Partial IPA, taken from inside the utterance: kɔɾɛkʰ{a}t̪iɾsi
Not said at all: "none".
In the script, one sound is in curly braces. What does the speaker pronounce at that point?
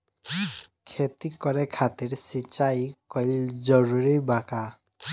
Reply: a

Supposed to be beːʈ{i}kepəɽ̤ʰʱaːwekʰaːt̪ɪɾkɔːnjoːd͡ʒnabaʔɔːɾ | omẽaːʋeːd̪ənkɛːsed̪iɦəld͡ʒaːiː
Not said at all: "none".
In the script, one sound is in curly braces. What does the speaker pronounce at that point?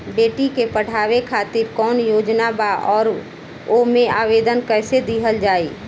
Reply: i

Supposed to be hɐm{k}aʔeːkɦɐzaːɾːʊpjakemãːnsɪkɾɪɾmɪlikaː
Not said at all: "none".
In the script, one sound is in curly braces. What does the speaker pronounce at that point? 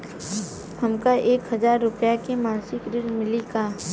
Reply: k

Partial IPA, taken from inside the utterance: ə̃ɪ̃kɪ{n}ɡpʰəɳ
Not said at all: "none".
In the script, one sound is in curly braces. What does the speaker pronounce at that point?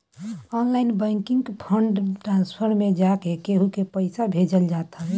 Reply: ŋ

